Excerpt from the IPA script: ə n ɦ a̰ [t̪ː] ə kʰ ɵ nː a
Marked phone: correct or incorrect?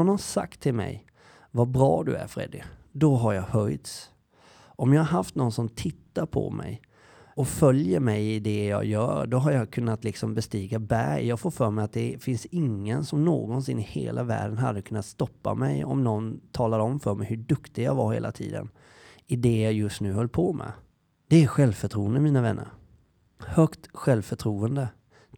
incorrect